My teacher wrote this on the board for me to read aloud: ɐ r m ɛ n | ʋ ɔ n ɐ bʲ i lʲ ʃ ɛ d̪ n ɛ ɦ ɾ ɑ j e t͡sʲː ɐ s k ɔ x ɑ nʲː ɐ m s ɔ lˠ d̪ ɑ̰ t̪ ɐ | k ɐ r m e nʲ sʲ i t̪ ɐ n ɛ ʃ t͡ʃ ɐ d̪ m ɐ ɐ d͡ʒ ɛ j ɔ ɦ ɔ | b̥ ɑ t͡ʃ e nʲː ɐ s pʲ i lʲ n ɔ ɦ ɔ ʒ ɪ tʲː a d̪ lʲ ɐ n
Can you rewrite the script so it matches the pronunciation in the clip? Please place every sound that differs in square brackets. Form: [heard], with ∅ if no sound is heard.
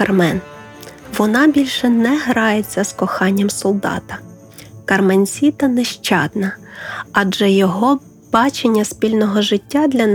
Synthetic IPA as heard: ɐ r m ɛ n | ʋ ɔ n [ɑ] bʲ i lʲ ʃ ɛ [∅] n ɛ ɦ ɾ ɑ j e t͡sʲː ɐ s k ɔ x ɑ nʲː ɐ m s ɔ lˠ d̪ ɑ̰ t̪ ɐ | k ɐ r m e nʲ sʲ i t̪ ɐ n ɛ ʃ t͡ʃ [ɑ] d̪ [n] ɐ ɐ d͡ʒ ɛ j ɔ ɦ ɔ | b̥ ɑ t͡ʃ e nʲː ɐ s pʲ i lʲ n ɔ ɦ ɔ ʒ ɪ tʲː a d̪ lʲ ɐ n